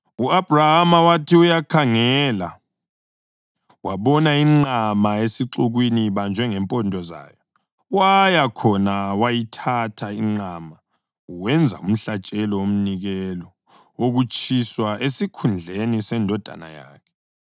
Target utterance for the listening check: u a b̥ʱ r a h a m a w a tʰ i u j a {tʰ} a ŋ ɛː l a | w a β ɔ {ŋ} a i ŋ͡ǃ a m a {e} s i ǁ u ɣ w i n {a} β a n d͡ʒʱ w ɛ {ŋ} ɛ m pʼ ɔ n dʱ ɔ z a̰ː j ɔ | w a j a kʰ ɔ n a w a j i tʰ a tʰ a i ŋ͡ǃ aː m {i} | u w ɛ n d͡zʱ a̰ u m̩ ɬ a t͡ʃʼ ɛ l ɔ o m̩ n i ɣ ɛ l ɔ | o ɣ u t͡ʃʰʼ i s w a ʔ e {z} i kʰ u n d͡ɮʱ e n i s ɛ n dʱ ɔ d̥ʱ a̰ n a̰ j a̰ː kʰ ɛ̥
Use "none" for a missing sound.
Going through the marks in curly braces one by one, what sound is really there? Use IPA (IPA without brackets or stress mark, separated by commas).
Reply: kʰ, n, e, i, ŋ, a, s